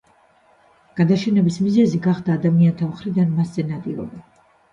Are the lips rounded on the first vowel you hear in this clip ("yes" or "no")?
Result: no